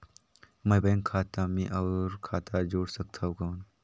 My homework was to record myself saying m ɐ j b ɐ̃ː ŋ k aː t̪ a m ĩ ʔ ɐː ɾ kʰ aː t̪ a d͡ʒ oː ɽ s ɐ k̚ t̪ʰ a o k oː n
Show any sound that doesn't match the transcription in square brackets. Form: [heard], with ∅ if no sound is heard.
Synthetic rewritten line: m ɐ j b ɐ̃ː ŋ [kʰ] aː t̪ a m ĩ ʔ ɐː ɾ kʰ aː t̪ a d͡ʒ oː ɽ s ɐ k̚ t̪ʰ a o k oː n